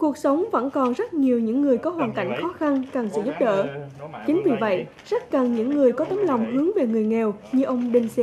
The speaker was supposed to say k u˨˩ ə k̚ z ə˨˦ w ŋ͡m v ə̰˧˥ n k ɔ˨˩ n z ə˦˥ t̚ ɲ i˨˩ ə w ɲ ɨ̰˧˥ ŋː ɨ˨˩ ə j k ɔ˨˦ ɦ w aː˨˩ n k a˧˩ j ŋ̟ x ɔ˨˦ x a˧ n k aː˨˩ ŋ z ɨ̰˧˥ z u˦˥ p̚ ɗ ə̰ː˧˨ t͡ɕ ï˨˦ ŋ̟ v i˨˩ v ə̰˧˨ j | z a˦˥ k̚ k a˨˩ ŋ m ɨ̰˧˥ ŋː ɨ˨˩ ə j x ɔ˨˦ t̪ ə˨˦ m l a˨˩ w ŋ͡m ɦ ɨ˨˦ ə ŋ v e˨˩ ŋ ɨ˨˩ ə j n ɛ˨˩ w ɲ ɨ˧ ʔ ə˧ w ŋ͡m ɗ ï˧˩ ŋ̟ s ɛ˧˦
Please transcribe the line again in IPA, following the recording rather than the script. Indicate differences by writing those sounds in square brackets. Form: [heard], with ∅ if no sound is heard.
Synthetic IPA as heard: k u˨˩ ə k̚ [s] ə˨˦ w ŋ͡m v ə̰˧˥ n k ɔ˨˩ n z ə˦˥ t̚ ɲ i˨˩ ə w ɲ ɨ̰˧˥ ŋː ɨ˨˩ ə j k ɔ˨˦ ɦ w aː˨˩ n k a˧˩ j ŋ̟ x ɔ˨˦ x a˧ n k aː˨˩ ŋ [s] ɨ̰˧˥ z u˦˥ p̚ ɗ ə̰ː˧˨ t͡ɕ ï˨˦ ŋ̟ v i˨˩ v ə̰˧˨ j | z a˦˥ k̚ k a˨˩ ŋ [ɲ] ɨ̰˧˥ ŋː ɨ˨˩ ə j [k] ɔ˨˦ t̪ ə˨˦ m l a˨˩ w ŋ͡m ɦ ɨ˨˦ ə ŋ v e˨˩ ŋ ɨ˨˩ ə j [ŋ] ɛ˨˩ w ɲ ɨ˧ ʔ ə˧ w ŋ͡m ɗ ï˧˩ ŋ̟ s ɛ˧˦

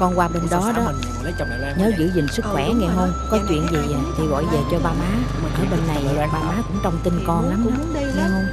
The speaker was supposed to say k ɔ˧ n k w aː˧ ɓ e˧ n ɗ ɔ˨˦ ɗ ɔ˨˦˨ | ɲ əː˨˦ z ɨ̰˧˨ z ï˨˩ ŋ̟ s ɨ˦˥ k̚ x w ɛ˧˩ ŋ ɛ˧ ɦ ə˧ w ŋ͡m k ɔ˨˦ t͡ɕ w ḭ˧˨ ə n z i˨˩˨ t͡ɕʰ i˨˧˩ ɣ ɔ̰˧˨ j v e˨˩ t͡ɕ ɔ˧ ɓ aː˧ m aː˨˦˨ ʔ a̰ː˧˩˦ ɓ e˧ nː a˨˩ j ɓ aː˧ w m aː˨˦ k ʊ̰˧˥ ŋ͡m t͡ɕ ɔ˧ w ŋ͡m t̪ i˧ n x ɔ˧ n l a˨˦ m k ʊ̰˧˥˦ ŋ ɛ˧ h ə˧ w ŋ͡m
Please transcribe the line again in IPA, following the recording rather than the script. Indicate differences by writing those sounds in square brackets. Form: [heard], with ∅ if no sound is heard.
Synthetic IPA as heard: k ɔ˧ n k w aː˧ ɓ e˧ n ɗ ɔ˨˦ ɗ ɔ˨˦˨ | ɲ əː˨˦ z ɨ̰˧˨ z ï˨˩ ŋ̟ s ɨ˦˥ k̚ x w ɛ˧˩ ŋ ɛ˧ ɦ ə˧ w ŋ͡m k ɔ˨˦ t͡ɕ w ḭ˧˨ ə n z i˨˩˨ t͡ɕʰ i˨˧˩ ɣ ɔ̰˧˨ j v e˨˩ t͡ɕ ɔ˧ ɓ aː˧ m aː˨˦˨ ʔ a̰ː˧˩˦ ɓ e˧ nː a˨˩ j ɓ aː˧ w m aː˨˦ k ʊ̰˧˥ ŋ͡m t͡ɕ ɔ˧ w ŋ͡m t̪ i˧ n [k] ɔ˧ n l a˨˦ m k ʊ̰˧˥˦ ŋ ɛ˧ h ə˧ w ŋ͡m

